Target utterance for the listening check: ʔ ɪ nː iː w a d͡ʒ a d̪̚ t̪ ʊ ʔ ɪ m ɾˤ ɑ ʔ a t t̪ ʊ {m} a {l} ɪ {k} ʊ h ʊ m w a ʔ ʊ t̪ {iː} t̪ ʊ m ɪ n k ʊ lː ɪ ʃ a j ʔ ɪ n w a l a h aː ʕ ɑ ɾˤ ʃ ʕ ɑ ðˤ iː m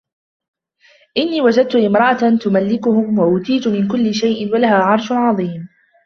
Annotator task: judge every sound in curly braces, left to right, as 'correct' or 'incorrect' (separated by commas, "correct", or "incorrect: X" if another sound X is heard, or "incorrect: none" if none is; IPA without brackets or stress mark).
correct, incorrect: lː, correct, correct